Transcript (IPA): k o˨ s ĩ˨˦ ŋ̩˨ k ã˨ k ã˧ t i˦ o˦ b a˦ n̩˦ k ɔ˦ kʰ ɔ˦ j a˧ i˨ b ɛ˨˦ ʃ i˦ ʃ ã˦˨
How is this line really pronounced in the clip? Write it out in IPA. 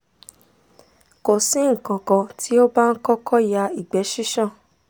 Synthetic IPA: k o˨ s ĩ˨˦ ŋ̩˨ k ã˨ k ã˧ t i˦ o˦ b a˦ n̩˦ k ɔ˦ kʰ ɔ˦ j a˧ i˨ ɡ͡b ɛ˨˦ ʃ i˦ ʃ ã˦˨